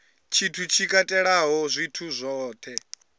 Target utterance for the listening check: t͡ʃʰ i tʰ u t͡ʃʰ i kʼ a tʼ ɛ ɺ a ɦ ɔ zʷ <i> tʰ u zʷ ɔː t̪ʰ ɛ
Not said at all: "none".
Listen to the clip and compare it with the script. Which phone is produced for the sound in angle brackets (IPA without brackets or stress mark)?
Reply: i